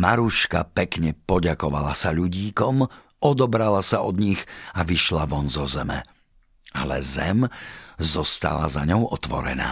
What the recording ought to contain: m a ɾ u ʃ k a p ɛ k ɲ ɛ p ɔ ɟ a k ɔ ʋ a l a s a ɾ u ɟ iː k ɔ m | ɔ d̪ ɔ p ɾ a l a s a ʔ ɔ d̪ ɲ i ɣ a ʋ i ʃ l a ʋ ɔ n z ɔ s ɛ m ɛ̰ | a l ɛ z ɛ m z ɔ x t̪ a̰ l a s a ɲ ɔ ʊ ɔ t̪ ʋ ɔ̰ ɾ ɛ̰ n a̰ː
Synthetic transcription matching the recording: m a ɾ u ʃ k a p ɛ k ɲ ɛ p ɔ ɟ a k ɔ ʋ a l a s a ʎ u ɟ iː k ɔ m | ɔ d̪ ɔ b ɾ a l a s a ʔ ɔ d̪ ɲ i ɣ a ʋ i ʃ l a ʋ ɔ n z ɔ z ɛ m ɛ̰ | a l ɛ z ɛ m z ɔ s t̪ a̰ l a z a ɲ ɔ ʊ ɔ t̪ ʋ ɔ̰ ɾ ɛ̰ n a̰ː